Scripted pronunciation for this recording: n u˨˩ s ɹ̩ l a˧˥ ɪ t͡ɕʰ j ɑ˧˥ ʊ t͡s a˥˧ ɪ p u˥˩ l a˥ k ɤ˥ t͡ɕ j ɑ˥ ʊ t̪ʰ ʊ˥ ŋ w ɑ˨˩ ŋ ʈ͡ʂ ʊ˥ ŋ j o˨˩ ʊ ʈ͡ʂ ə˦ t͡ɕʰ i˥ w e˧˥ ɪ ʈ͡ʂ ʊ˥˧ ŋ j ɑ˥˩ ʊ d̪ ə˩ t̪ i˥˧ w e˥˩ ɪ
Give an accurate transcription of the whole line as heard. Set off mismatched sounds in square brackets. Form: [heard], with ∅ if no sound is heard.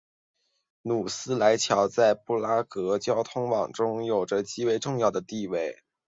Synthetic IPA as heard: n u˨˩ s ɹ̩ l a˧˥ ɪ t͡ɕʰ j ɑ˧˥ ʊ t͡s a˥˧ ɪ p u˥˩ l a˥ k [ɤ˧˥] t͡ɕ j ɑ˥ ʊ t̪ʰ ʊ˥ ŋ w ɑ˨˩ ŋ ʈ͡ʂ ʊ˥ ŋ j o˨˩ ʊ ʈ͡ʂ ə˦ [t͡ɕ] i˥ w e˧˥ ɪ ʈ͡ʂ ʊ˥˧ ŋ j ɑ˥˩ ʊ d̪ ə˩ t̪ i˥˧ w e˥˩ ɪ